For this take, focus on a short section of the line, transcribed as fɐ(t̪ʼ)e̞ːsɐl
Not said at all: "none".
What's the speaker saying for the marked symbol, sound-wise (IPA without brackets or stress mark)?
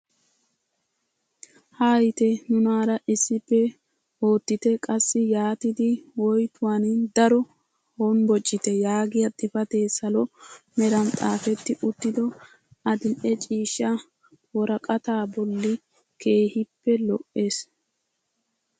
t̪